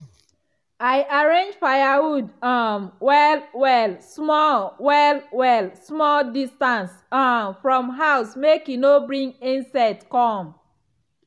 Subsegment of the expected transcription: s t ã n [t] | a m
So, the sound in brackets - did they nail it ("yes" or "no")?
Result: no